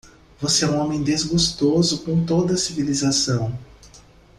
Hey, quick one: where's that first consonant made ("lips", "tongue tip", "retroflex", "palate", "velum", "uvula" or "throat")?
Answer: lips